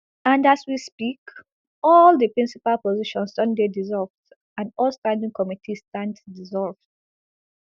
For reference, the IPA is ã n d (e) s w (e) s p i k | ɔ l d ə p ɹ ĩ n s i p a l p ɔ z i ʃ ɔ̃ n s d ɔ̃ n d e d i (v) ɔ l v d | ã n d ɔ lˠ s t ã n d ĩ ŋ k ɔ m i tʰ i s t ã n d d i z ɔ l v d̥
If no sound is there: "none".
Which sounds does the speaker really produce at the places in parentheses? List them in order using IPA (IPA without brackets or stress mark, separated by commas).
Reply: a, i, z